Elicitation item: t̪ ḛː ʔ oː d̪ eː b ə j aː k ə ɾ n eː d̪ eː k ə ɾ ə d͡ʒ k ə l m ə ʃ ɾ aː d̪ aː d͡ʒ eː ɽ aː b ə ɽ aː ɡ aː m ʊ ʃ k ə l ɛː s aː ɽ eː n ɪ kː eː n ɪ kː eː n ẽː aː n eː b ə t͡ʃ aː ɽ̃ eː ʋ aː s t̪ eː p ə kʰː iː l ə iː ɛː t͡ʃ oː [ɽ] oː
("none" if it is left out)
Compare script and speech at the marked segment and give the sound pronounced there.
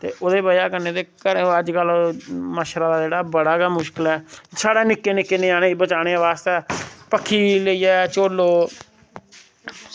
l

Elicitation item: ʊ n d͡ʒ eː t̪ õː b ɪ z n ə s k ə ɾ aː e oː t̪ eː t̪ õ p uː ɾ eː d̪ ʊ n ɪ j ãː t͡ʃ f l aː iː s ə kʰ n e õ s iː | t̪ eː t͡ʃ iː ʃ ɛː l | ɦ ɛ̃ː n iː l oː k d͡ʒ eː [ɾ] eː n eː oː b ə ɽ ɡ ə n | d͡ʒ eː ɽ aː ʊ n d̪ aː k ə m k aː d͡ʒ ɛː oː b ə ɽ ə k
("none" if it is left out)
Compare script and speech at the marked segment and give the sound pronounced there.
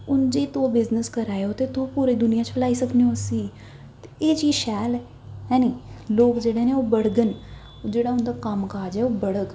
ɽ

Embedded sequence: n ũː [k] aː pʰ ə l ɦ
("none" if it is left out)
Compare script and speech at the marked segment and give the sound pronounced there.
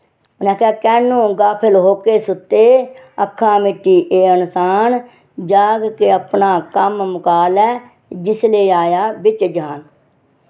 ɡ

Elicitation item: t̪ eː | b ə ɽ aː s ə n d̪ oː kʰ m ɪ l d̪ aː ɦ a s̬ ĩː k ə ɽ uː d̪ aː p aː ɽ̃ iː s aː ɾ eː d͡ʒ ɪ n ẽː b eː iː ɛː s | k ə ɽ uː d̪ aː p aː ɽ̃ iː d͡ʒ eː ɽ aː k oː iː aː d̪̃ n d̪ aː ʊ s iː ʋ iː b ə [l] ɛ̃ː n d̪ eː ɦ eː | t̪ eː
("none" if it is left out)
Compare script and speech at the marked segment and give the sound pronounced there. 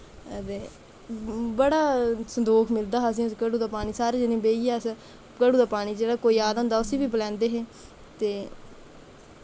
l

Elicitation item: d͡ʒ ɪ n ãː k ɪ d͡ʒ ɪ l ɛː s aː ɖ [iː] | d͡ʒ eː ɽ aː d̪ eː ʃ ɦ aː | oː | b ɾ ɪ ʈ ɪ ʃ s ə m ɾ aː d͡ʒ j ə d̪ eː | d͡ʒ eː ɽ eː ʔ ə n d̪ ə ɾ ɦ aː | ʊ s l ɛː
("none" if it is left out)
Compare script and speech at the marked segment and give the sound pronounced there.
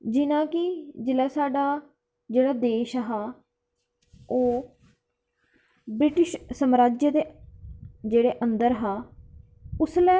aː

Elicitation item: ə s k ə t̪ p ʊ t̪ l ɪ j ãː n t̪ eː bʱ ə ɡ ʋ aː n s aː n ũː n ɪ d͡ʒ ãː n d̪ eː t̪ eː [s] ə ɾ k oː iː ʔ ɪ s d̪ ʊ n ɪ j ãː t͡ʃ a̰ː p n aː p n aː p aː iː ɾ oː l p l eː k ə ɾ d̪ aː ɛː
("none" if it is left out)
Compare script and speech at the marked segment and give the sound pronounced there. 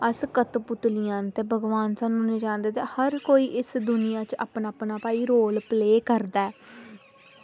h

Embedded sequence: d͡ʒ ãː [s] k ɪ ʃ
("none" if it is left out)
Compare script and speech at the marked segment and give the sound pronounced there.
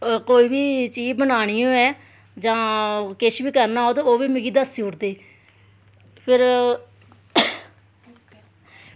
none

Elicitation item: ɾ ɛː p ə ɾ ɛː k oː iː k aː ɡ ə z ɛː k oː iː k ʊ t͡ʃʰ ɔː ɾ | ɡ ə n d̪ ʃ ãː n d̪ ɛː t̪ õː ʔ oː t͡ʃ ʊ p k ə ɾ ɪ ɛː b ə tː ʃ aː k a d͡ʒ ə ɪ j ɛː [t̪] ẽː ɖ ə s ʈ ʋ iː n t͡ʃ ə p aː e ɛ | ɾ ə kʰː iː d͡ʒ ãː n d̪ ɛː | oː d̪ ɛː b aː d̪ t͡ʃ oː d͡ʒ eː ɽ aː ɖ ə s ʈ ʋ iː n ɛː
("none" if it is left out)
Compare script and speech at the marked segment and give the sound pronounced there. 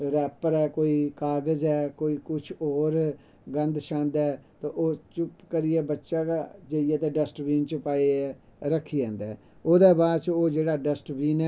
t̪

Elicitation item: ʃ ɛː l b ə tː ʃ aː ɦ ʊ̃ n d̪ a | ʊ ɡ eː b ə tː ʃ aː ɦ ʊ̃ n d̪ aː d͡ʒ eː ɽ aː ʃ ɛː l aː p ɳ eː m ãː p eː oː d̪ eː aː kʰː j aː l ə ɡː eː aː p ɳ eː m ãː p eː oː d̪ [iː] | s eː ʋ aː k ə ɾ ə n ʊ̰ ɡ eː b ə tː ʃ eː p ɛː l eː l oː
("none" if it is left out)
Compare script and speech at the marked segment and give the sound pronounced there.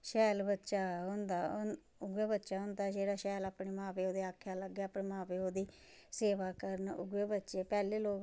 iː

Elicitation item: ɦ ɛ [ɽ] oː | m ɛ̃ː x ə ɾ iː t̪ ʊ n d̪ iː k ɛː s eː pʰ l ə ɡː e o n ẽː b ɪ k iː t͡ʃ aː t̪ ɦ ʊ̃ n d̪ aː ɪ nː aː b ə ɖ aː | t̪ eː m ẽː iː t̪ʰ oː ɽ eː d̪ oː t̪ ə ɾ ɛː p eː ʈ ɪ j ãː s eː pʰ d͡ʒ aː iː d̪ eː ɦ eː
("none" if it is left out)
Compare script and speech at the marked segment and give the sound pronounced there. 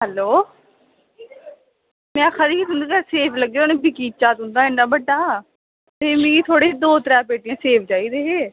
l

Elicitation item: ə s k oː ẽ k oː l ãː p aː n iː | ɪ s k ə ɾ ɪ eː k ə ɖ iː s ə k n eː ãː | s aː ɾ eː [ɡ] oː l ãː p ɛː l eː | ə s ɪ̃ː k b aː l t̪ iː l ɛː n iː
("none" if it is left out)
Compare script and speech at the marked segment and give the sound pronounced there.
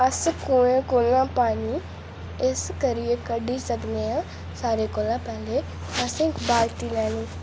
k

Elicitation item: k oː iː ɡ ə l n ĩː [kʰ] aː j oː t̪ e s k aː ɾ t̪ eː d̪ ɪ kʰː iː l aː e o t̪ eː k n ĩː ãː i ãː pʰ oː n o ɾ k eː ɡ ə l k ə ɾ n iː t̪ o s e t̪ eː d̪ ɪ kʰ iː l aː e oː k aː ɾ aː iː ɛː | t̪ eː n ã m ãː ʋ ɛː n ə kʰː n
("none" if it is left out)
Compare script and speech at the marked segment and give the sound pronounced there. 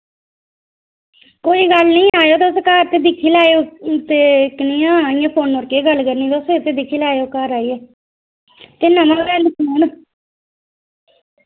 none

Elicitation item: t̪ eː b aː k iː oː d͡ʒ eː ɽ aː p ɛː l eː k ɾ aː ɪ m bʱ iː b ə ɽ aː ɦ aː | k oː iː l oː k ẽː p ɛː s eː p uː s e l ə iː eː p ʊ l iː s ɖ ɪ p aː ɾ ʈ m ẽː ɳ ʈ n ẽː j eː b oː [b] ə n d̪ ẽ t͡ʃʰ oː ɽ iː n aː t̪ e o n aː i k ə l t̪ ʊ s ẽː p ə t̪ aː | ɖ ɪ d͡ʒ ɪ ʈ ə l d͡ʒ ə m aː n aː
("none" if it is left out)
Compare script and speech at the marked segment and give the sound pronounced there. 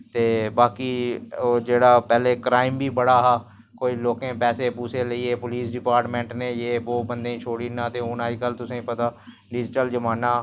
b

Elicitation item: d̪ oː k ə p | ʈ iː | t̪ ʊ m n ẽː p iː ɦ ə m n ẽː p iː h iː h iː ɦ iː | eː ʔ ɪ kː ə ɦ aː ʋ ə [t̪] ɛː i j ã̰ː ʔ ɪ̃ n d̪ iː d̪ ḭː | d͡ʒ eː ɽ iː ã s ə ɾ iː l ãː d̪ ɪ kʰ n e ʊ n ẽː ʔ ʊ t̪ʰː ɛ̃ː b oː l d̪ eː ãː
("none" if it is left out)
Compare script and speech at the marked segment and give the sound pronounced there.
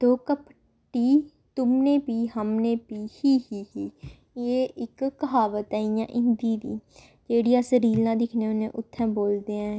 t̪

